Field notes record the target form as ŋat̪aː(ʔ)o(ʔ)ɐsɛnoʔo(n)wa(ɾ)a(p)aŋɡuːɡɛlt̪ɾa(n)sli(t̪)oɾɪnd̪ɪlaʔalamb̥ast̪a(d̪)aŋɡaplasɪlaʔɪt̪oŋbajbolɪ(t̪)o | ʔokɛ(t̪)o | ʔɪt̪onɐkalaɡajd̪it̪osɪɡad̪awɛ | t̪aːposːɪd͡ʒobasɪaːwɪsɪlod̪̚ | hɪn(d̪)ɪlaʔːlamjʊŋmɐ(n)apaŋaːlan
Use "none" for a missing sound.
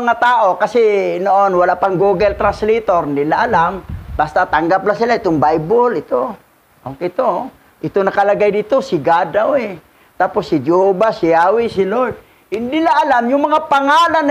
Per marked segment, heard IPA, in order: ʔ, k, n, l, p, n, t̪, t̪, t̪, t̪, d̪, ŋ

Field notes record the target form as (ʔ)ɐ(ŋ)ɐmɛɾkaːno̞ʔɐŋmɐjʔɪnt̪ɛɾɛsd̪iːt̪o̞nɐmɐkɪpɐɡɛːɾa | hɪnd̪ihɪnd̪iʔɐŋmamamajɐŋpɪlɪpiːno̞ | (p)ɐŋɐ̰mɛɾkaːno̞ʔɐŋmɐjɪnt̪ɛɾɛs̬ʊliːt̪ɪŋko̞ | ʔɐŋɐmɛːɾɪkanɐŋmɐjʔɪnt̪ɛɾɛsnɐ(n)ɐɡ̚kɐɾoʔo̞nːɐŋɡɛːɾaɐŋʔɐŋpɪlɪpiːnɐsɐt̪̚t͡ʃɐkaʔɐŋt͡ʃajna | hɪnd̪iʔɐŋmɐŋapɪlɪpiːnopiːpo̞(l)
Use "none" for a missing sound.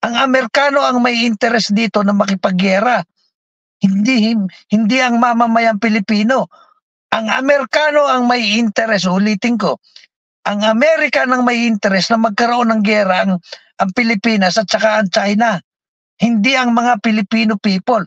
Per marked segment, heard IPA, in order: ʔ, ŋ, ʔ, m, l

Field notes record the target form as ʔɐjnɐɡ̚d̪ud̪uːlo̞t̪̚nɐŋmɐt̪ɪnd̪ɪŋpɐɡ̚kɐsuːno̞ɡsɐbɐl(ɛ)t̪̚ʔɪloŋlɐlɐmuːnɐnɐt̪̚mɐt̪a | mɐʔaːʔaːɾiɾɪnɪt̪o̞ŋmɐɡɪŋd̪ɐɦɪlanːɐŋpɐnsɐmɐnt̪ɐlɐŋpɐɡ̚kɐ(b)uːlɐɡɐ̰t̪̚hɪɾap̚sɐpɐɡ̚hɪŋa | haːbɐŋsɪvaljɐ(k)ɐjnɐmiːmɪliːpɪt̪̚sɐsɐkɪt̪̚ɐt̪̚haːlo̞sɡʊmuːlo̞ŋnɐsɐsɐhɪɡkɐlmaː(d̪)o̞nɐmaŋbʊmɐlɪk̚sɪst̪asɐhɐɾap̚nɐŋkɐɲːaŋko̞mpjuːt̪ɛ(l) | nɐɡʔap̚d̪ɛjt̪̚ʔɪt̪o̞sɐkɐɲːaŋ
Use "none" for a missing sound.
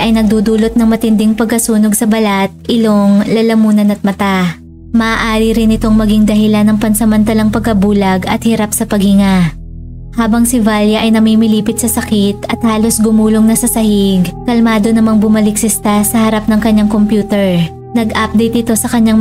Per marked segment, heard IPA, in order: a, b, ʔ, d̪, ɹ

